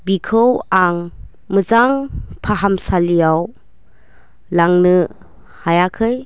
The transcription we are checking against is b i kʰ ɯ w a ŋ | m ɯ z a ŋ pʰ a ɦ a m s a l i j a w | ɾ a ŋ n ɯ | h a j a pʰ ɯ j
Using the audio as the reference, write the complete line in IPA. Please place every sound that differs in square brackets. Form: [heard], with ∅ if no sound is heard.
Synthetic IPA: b i kʰ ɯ w a ŋ | m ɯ z a ŋ pʰ a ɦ a m s a l i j a w | [l] a ŋ n ɯ | h a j a [kʰ] ɯ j